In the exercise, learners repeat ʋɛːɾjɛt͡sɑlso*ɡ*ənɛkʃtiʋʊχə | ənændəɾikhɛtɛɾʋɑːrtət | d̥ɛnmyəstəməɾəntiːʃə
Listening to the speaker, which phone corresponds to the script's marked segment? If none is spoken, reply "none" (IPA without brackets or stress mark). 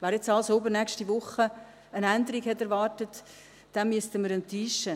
b